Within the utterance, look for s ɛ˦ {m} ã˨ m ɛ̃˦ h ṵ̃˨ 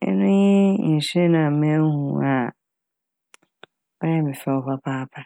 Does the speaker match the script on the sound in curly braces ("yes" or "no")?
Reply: no